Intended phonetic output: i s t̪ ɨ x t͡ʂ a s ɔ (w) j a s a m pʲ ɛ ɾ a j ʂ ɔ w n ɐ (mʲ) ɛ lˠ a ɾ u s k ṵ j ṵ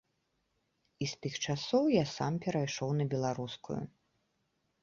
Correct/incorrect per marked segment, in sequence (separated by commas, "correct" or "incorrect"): correct, incorrect